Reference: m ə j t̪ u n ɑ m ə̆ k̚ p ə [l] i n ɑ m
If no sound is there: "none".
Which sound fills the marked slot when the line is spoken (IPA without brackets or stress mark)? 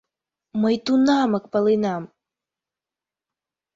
l